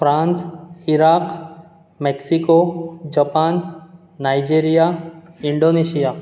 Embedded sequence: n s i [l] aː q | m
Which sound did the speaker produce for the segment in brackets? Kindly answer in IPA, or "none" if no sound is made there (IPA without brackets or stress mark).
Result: ɾ